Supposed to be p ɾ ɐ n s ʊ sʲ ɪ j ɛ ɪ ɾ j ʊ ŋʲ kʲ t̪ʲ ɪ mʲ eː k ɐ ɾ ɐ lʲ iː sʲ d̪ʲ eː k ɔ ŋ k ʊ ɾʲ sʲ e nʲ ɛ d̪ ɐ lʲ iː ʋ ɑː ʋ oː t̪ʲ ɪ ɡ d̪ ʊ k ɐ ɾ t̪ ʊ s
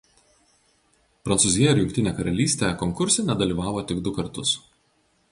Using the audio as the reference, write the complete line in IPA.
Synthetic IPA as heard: p ɾ ɐ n s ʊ zʲ ɪ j ɛ ɪ ɾ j ʊ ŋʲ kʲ t̪ʲ ɪ nʲ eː k ɐ ɾ ɐ lʲ iː sʲ t̪ʲ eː k ɔ ŋ k ʊ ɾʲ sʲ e nʲ ɛ d̪ ɐ lʲ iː ʋ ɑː ʋ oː t̪ʲ ɪ ɡ d̪ ʊ k ɐ ɾ t̪ ʊ s